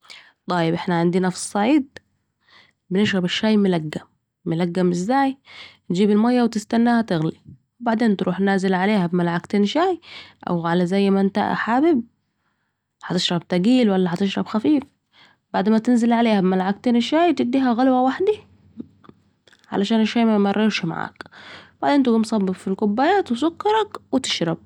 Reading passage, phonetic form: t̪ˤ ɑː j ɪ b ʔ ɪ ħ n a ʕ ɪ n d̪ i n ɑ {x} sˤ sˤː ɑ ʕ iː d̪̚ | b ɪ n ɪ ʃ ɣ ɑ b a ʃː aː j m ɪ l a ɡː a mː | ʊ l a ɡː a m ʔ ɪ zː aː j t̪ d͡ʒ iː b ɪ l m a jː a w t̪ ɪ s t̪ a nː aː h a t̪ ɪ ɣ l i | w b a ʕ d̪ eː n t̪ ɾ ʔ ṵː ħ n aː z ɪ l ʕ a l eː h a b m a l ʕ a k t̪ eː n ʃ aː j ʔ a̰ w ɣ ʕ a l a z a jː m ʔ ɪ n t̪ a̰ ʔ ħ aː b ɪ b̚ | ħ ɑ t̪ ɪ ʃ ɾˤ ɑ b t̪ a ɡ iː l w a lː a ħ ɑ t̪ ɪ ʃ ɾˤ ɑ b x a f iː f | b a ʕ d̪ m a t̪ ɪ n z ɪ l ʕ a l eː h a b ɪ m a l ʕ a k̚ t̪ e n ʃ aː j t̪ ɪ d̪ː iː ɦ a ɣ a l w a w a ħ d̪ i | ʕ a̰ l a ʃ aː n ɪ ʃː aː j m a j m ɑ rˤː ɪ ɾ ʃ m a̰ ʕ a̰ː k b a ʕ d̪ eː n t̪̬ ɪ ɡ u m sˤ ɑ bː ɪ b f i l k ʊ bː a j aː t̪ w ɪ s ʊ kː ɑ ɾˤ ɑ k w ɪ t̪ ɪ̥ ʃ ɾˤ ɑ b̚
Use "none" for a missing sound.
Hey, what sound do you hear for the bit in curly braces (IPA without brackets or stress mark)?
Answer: f